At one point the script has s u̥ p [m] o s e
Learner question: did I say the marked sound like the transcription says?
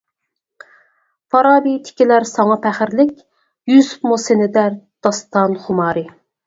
yes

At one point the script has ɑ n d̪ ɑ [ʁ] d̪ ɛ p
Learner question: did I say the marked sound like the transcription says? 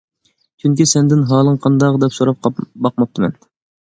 yes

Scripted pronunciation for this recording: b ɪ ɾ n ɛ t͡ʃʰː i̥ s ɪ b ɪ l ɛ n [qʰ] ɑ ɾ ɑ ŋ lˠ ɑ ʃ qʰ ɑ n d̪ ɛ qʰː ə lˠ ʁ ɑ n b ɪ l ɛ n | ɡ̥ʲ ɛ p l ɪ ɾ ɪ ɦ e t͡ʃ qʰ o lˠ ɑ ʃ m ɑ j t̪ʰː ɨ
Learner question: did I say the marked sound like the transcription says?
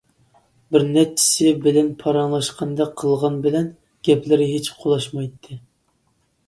no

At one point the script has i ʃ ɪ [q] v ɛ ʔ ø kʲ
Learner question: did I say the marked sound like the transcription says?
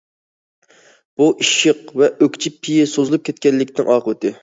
yes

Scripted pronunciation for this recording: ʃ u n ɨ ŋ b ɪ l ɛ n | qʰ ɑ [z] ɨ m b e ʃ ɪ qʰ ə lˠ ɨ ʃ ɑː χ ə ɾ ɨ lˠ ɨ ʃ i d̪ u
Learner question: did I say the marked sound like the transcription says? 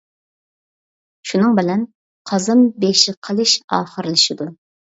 yes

